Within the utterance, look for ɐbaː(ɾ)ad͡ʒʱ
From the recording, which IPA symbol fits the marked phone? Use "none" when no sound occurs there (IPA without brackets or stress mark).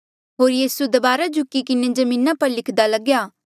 ɾ